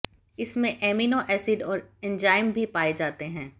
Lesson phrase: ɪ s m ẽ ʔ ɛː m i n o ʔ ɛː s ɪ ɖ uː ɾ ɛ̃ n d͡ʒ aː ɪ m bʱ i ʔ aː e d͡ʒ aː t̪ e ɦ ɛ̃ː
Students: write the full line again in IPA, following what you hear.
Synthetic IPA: ɪ s m ẽ ʔ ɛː m i n o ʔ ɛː s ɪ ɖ ɔː ɾ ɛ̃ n d͡ʒ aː ɪ m bʱ i p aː e d͡ʒ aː t̪ e ɦ ɛ̃ː